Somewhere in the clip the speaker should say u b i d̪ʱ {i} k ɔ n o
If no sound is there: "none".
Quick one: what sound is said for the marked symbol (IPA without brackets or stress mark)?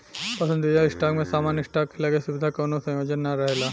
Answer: a